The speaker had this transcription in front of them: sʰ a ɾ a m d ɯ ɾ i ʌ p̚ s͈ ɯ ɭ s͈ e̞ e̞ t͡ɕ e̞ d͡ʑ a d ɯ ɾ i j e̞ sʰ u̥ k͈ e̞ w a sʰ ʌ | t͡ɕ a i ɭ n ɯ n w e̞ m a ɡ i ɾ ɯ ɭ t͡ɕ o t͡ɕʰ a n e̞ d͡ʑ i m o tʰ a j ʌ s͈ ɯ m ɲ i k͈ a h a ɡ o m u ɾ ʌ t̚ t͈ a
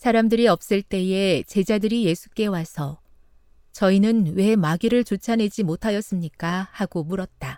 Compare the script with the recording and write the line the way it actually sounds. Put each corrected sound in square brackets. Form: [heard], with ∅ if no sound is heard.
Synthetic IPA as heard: sʰ a ɾ a m d ɯ ɾ i ʌ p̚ s͈ ɯ ɭ [t͈] e̞ e̞ t͡ɕ e̞ d͡ʑ a d ɯ ɾ i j e̞ sʰ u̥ k͈ e̞ w a sʰ ʌ | t͡ɕ [ʌ] i [∅] n ɯ n w e̞ m a ɡ i ɾ ɯ ɭ t͡ɕ o t͡ɕʰ a n e̞ d͡ʑ i m o tʰ a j ʌ s͈ ɯ m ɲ i k͈ a h a ɡ o m u ɾ ʌ t̚ t͈ a